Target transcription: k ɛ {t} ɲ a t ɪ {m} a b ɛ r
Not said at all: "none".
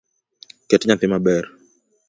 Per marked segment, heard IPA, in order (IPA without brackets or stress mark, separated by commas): t, m